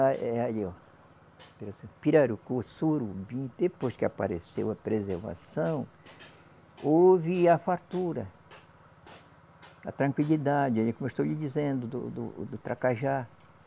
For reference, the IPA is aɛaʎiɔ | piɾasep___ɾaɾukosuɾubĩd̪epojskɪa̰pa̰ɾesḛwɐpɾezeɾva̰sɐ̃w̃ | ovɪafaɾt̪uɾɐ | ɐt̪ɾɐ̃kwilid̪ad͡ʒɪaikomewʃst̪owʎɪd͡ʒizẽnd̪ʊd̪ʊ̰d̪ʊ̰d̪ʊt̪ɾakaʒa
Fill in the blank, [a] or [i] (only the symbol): i